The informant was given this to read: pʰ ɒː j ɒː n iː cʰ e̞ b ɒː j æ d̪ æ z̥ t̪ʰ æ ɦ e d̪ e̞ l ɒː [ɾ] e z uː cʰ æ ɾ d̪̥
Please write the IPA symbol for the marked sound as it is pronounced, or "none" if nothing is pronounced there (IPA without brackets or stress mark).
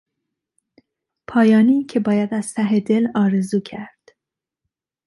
ɾ